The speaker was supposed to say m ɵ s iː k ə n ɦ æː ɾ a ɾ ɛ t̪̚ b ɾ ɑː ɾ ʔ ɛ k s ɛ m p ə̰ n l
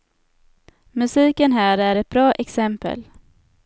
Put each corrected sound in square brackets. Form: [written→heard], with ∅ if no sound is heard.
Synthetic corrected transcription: m ɵ s iː k ə n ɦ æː ɾ [a→æ] ɾ ɛ t̪̚ b ɾ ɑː [ɾ→∅] ʔ ɛ k s ɛ m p ə̰ [n→∅] l